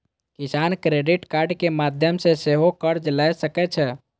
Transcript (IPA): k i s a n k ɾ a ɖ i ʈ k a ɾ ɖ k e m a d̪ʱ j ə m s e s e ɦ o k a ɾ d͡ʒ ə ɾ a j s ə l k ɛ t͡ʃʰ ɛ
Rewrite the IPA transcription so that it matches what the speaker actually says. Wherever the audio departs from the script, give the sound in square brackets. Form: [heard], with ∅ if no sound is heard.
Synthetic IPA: k i s a n k ɾ [e] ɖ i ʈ k a ɾ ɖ k e m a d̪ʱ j ə m s e s e ɦ o k [ə] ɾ d͡ʒ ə [l] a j s ə [∅] k ɛ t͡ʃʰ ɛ